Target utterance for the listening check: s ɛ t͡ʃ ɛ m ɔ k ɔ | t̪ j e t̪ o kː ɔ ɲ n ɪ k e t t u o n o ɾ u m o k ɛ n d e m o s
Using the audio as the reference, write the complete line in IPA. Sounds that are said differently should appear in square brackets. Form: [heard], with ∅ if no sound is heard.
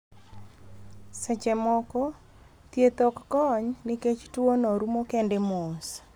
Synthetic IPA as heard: s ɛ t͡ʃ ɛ m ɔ k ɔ | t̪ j e t̪ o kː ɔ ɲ n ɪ k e [t͡ʃ] t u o n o ɾ u m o k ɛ n d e m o s